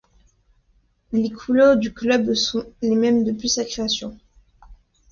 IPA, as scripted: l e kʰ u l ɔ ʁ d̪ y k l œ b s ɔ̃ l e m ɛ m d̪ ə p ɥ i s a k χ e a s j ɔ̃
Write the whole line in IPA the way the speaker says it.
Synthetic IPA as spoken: l e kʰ u l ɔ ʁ d̪ y k l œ b s ɔ̃ l e m ɛ m d̪ ə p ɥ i s a k χ e a s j ɔ̃